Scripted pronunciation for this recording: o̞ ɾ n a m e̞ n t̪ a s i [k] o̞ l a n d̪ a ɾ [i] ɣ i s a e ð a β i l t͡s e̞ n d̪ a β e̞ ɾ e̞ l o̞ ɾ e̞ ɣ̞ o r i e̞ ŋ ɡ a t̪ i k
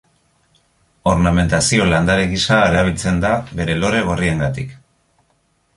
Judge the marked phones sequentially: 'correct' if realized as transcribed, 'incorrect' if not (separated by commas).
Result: incorrect, incorrect